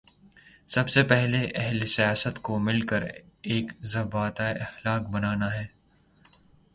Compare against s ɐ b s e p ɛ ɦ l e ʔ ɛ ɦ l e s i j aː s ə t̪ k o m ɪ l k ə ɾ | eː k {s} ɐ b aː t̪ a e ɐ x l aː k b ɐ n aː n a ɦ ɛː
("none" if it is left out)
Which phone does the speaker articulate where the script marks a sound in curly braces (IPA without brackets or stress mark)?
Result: z